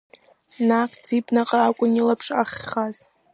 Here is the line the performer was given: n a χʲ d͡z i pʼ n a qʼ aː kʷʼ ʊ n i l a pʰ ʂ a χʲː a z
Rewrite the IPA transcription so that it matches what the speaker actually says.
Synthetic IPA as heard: n a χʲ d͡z i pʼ n a qʼ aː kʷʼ ʊ n i l a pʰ ʂ a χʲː a z